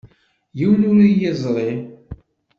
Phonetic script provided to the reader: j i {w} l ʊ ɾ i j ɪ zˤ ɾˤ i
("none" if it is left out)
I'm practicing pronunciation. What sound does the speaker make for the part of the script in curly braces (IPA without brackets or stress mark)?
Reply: w